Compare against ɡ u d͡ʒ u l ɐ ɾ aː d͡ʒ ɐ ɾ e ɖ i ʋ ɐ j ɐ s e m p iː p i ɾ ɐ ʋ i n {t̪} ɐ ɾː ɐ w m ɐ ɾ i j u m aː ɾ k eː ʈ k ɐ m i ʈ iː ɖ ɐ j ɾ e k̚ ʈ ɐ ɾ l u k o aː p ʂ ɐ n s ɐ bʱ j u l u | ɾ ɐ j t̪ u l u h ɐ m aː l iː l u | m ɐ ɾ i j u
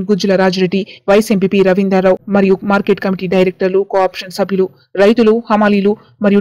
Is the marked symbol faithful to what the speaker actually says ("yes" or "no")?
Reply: no